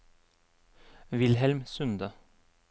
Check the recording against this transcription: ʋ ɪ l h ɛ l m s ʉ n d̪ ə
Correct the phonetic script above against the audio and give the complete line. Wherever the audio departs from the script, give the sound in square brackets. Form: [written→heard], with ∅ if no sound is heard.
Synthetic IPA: ʋ ɪ l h ɛ l m s ʉ n d̪ ə